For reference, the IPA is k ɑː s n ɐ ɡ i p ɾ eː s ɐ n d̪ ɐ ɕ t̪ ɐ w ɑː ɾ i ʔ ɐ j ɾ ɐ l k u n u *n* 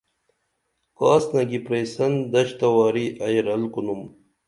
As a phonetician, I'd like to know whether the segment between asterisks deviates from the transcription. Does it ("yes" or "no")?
yes